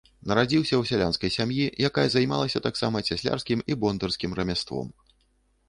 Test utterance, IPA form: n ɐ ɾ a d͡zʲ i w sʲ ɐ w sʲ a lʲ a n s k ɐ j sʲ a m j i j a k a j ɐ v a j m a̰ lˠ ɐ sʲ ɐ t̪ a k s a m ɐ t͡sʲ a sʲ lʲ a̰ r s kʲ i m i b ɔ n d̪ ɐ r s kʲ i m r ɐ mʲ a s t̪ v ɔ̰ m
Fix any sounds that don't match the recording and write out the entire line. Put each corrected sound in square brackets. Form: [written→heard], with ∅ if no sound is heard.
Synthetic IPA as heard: n ɐ ɾ a d͡zʲ i w sʲ ɐ w sʲ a lʲ a n s k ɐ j sʲ a m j i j a k a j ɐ [v→z] a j m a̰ lˠ ɐ sʲ ɐ t̪ a k s a m ɐ t͡sʲ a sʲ lʲ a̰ r s kʲ i m i b ɔ n d̪ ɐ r s kʲ i m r ɐ mʲ a s t̪ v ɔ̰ m